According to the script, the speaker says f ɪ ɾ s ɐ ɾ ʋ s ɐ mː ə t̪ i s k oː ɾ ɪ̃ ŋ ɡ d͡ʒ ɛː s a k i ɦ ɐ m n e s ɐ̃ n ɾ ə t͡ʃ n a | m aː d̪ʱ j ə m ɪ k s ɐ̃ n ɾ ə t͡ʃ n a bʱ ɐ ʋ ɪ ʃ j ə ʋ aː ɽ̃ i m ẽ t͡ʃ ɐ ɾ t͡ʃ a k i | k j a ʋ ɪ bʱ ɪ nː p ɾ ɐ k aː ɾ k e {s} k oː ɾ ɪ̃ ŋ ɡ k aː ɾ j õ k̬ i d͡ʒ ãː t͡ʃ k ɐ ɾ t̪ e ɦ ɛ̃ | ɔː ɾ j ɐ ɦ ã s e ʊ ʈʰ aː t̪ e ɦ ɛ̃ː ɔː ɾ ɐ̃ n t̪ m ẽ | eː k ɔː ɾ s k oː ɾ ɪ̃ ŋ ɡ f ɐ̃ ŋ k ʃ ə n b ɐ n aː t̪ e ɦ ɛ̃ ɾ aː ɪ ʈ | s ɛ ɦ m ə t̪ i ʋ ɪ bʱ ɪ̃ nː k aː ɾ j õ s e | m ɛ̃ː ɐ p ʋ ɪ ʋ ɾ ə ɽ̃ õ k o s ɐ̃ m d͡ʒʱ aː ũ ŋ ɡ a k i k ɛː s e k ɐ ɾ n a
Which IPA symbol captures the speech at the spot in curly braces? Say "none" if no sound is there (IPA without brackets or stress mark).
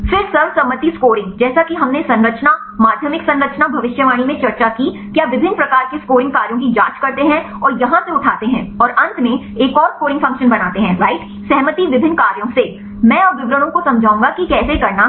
s